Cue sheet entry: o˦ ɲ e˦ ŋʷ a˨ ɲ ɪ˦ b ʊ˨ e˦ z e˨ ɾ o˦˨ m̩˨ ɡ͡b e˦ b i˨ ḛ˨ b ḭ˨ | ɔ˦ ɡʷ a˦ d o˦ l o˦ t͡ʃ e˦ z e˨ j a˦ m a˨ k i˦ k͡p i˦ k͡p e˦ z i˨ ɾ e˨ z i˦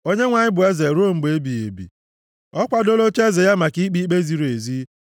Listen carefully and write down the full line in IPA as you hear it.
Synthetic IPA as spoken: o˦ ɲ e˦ ŋʷ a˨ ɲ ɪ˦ b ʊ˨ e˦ z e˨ ɾ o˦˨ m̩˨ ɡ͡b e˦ b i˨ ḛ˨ b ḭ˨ | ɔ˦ kʷ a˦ d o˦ l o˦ t͡ʃ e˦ z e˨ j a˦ m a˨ k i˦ k͡p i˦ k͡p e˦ z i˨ ɾ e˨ z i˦